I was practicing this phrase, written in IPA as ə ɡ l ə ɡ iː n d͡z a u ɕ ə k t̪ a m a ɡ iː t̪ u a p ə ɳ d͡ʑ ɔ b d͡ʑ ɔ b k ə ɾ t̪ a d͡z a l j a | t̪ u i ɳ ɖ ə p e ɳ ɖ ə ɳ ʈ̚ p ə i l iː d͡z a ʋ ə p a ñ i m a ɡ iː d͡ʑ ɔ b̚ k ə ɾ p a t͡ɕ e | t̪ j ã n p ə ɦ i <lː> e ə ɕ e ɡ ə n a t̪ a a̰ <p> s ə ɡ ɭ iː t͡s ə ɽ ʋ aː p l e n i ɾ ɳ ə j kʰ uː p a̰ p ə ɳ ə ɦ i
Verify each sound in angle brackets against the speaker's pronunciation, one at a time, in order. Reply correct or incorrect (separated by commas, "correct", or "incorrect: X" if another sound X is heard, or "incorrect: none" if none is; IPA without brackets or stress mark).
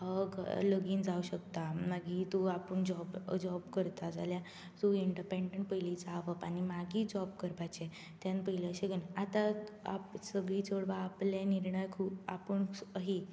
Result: incorrect: l, correct